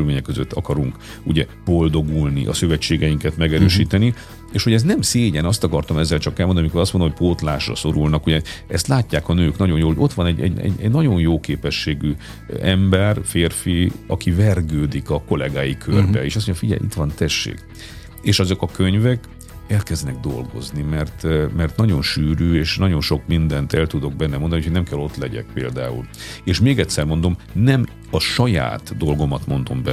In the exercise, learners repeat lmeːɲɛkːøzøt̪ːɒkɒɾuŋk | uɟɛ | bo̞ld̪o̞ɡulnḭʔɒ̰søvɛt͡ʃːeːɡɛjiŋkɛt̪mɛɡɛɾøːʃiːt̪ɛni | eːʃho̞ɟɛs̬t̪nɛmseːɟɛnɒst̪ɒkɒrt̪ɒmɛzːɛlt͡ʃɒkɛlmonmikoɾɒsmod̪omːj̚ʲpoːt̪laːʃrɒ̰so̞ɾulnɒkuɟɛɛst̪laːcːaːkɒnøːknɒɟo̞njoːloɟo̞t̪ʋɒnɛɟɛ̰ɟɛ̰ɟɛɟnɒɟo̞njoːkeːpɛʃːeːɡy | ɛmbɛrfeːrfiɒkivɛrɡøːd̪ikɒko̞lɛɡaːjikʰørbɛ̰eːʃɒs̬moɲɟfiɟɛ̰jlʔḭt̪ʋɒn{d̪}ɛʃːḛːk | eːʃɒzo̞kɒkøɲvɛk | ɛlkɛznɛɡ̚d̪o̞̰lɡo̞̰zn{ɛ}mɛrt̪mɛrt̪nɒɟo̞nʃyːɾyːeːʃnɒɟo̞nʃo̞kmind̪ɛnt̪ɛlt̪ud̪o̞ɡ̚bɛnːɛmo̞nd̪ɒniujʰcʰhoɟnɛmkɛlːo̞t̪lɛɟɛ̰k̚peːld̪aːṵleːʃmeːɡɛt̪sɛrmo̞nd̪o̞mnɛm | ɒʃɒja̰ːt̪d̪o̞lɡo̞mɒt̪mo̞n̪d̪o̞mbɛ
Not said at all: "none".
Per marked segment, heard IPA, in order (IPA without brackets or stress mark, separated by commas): t̪, i